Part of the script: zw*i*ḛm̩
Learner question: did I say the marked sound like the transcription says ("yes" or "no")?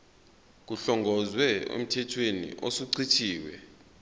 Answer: no